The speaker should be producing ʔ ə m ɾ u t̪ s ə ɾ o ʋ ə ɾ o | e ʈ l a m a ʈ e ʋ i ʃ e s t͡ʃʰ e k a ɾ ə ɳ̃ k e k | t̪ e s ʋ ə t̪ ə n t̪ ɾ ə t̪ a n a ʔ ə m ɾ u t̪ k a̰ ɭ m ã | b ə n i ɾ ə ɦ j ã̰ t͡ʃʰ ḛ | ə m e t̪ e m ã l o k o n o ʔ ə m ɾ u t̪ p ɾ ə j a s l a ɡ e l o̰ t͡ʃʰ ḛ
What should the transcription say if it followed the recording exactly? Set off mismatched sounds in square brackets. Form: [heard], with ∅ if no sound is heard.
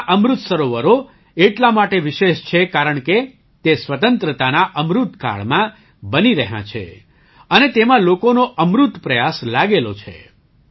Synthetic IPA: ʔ ə m ɾ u t̪ s ə ɾ o ʋ ə ɾ o | e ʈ l a m a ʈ e ʋ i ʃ e [ʃ] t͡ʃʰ e k a ɾ ə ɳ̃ k e [∅] | t̪ e s ʋ ə t̪ ə n t̪ ɾ ə t̪ a n a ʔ ə m ɾ u t̪ k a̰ ɭ m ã | b ə n i ɾ ə ɦ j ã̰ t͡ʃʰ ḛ | ə [n] e t̪ e m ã l o k o n o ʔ ə m ɾ u t̪ p ɾ ə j a s l a ɡ e l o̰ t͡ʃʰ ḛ